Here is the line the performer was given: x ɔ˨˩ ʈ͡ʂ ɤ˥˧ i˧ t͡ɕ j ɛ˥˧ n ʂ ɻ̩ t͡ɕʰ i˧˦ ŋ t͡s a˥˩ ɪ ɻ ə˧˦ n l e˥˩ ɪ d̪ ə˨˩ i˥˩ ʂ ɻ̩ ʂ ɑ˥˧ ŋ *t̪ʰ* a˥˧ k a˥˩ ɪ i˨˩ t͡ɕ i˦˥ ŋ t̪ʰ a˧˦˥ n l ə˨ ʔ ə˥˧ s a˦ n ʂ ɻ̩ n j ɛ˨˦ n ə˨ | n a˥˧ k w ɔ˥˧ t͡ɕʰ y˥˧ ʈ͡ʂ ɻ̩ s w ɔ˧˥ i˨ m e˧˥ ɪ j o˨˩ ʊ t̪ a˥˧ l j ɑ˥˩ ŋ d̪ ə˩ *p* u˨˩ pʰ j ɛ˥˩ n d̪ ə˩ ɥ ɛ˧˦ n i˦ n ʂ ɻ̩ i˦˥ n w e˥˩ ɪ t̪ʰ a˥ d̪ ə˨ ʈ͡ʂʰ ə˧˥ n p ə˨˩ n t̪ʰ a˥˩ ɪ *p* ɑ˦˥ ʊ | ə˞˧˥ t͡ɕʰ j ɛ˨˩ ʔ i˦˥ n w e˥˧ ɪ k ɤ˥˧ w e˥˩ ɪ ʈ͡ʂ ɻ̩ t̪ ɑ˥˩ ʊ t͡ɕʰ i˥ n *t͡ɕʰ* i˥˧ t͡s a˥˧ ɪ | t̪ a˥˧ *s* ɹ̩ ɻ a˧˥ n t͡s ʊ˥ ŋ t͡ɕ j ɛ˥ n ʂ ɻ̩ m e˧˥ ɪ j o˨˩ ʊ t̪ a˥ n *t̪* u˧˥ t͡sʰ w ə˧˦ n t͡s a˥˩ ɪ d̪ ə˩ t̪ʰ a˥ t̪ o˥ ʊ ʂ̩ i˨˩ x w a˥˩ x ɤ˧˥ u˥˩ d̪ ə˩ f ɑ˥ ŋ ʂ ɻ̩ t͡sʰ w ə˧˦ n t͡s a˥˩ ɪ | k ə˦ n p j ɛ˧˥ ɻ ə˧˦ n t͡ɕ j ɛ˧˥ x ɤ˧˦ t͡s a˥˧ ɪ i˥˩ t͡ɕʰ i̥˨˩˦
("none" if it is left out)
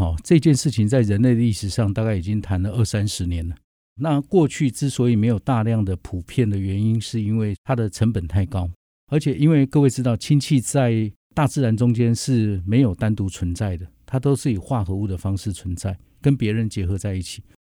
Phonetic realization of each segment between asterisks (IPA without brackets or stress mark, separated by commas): t̪, pʰ, k, t͡ɕʰ, t͡s, t̪